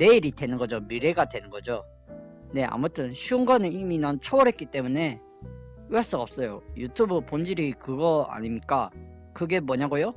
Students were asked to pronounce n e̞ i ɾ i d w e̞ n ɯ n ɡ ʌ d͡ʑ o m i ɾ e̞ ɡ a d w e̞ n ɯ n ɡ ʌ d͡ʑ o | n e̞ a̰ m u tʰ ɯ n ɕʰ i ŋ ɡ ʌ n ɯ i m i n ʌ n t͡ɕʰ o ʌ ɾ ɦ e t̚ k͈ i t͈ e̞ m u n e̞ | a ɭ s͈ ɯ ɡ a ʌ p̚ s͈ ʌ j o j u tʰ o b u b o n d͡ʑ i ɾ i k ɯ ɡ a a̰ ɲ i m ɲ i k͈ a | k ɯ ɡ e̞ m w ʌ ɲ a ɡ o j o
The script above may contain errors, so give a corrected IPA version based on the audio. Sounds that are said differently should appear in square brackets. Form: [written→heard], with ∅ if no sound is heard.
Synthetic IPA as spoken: n e̞ i ɾ i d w e̞ n ɯ n ɡ ʌ d͡ʑ o m i ɾ e̞ ɡ a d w e̞ n ɯ n ɡ ʌ d͡ʑ o | n e̞ a̰ m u tʰ ɯ n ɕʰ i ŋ ɡ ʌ n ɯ i m i n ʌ n t͡ɕʰ o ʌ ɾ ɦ e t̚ k͈ i t͈ e̞ m u n e̞ | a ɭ s͈ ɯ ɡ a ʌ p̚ s͈ ʌ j o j u tʰ [o→u] b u [b→p] o n d͡ʑ i ɾ i k ɯ ɡ [a→ʌ] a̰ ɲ i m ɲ i k͈ a | k ɯ ɡ e̞ m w ʌ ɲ a ɡ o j o